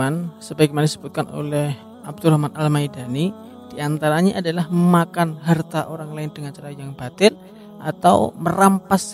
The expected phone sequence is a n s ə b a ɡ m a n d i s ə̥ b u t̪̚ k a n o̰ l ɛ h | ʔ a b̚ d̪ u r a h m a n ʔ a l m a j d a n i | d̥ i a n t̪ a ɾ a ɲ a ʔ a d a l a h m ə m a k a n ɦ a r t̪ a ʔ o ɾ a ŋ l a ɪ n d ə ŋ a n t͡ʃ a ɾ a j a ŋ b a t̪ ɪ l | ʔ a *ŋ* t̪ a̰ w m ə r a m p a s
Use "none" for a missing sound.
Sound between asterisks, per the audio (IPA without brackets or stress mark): none